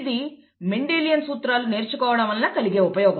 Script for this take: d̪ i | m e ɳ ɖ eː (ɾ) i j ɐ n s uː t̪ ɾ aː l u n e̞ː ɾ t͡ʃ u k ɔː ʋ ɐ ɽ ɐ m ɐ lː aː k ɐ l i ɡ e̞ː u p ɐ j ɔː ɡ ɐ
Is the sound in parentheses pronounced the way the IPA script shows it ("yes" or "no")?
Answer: no